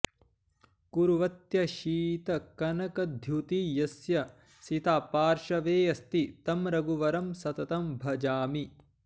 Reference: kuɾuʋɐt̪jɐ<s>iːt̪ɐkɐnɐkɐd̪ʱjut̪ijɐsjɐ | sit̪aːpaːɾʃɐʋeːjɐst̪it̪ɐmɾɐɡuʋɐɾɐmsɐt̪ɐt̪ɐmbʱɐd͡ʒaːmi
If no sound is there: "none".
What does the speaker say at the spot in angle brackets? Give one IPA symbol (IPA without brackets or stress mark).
ʃ